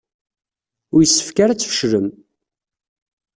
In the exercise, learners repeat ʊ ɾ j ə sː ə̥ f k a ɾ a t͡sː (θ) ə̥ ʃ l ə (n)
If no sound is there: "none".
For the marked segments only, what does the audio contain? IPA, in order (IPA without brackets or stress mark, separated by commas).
f, m